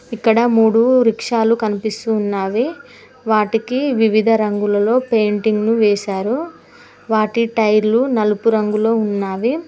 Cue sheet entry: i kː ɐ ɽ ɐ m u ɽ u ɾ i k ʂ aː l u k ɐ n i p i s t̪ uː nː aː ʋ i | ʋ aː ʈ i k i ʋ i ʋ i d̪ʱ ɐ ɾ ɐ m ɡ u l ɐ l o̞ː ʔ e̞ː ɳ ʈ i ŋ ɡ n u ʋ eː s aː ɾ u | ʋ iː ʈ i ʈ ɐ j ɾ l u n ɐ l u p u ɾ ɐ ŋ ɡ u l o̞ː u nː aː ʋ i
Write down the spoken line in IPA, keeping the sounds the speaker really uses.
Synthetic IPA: i kː ɐ ɽ ɐ m uː ɽ u ɾ i k ʂ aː l u k ɐ n i p i s t̪ uː nː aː ʋ i | ʋ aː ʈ i k i ʋ i ʋ i d̪ʱ ɐ ɾ ɐ ŋ ɡ u l ɐ l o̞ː p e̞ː ɳ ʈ i ŋ ɡ n u ʋ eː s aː ɾ u | ʋ aː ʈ i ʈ ɐ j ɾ l u n ɐ l u p u ɾ ɐ ŋ ɡ u l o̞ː u nː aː ʋ i

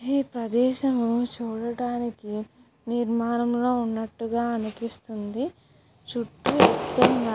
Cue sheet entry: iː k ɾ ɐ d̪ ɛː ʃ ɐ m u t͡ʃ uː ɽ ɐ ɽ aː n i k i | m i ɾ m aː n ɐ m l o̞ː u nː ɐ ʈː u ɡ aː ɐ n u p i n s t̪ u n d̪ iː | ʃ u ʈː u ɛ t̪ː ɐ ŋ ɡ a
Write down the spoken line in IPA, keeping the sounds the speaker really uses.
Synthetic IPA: iː p ɾ ɐ d̪ ɛː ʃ ɐ m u t͡ʃ uː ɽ ɐ ɽ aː n i k i | n i ɾ m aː n ɐ m l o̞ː u nː ɐ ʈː u ɡ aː ɐ n u p i s t̪ u n d̪ i | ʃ u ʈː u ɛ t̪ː ɐ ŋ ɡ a

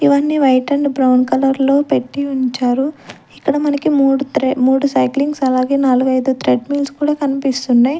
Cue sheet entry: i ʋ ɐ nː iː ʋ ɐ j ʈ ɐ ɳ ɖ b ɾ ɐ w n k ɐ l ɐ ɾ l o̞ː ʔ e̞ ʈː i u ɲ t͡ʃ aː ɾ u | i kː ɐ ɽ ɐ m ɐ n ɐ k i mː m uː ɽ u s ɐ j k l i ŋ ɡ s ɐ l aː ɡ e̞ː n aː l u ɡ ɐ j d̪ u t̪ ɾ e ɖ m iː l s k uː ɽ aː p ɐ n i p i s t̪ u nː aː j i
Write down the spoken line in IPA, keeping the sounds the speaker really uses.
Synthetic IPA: i ʋ ɐ nː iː ʋ ɐ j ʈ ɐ ɳ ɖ b ɾ ɐ w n k ɐ l ɐ ɾ l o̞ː p e̞ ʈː i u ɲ t͡ʃ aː ɾ u | i kː ɐ ɽ ɐ m ɐ n ɐ k i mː m uː ɽ u s ɐ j k l i ŋ ɡ s ɐ l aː ɡ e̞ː n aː l u ɡ ɐ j d̪ u t̪ ɾ e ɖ m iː l s k uː ɽ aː k ɐ n i p i s t̪ u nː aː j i

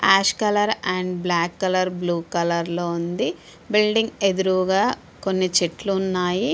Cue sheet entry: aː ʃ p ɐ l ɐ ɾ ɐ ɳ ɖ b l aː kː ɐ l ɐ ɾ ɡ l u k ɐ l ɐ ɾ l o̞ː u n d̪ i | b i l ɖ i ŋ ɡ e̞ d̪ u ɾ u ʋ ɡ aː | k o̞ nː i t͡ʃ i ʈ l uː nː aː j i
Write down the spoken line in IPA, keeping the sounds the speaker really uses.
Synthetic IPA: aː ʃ k ɐ l ɐ ɾ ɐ ɳ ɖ b l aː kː ɐ l ɐ ɾ b l uː k ɐ l ɐ ɾ l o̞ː u n d̪ i | b i l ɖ i ŋ ɡ e̞ d̪ u ɾ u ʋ ɡ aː | k o̞ nː i t͡ʃ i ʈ l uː nː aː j i

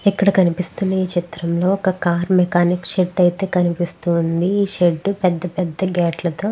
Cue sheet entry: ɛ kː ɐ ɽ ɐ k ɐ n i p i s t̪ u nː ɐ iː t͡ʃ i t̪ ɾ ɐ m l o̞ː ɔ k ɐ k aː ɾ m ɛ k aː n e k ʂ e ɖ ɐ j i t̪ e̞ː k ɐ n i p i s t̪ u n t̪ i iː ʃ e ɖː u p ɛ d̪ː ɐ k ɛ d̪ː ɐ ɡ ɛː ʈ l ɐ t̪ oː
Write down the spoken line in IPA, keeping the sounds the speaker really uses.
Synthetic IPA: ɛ kː ɐ ɽ ɐ k ɐ n i p i s t̪ u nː ɐ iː t͡ʃ i t̪ ɾ ɐ m l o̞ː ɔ k ɐ k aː ɾ m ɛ k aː n i k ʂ e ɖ ɐ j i t̪ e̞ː k ɐ n i p i s t̪ u n d̪ i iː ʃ e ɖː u p ɛ d̪ː ɐ p ɛ d̪ː ɐ ɡ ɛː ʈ l ɐ t̪ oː

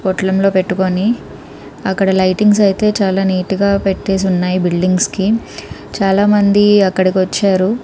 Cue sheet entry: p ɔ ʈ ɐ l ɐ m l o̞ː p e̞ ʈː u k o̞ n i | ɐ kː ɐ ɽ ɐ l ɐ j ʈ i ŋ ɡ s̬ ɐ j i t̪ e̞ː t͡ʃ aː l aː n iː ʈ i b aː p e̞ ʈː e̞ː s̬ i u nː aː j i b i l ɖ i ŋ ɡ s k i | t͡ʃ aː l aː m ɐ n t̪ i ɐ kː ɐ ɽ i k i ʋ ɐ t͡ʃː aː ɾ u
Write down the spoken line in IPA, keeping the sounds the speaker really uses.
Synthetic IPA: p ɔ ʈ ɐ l ɐ m l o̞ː p e̞ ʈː u k o̞ n i | ɐ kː ɐ ɽ ɐ l ɐ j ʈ i ŋ ɡ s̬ ɐ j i t̪ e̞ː t͡ʃ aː l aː n iː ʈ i ɡ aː p e̞ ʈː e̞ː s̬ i u nː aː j i b i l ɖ i ŋ ɡ s k i | t͡ʃ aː l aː m ɐ n d̪ i ɐ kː ɐ ɽ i k i ʋ ɐ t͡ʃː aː ɾ u

